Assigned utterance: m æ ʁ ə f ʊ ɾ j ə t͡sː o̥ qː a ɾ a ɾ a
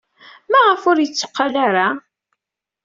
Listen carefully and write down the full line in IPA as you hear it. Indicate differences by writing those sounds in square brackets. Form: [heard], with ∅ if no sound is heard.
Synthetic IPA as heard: m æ ʁ ə f ʊ ɾ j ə t͡sː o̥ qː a [l] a ɾ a